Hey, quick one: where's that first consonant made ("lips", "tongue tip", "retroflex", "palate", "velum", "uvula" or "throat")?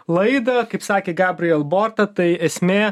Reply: tongue tip